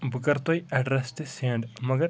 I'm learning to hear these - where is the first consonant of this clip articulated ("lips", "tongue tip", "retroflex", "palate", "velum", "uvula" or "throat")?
lips